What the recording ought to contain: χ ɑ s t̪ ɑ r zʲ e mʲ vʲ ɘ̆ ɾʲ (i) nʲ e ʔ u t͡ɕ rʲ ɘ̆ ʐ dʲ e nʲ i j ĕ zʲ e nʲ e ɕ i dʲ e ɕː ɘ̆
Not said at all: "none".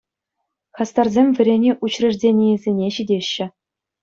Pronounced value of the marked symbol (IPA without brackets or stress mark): e